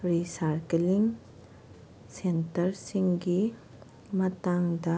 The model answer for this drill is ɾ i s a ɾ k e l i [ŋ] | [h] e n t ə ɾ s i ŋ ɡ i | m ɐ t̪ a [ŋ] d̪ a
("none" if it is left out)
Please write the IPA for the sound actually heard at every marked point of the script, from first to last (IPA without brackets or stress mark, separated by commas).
ŋ, s, ŋ